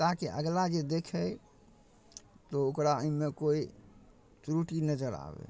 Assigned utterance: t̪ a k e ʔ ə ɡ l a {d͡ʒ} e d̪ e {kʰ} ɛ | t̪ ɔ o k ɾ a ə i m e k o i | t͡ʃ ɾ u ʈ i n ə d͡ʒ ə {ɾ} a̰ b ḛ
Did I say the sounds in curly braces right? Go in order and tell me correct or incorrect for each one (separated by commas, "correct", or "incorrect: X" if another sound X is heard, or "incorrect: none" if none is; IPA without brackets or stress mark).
correct, correct, correct